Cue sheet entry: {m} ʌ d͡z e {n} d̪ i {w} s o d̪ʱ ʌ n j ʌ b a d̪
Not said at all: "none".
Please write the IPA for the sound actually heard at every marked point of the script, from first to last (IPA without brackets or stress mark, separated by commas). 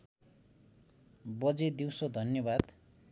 b, none, w